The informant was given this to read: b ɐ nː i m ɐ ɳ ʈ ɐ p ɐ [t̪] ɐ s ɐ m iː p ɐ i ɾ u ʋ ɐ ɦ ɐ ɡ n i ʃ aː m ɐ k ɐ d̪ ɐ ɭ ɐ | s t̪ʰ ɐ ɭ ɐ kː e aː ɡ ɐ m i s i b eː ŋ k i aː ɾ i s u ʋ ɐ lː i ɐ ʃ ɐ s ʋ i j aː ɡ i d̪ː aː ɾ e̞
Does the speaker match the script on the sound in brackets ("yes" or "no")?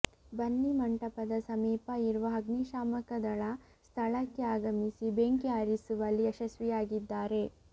no